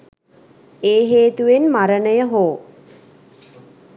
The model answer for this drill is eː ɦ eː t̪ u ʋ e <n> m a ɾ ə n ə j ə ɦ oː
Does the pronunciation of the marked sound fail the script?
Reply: no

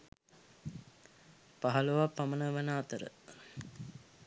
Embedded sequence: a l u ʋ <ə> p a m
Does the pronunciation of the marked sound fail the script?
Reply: yes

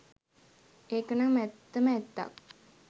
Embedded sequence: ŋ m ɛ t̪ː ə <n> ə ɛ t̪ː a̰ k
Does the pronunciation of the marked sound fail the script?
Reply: yes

